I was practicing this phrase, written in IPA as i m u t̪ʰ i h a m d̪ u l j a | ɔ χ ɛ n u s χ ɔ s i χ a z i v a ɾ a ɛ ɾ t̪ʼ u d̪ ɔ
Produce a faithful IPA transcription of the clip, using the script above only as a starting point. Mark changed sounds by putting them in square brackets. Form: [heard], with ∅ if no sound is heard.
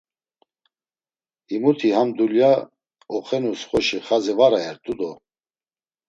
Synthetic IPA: i m u t̪ʰ i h a m d̪ u l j a | ɔ χ ɛ n u s χ ɔ [ʃ] i χ a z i v a ɾ a ɛ ɾ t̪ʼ u d̪ ɔ